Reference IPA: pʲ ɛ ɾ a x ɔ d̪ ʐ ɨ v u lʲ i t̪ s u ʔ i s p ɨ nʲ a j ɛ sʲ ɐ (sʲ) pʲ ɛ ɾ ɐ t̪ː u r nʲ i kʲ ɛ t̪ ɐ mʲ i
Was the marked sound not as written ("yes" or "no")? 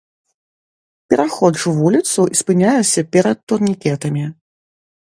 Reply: yes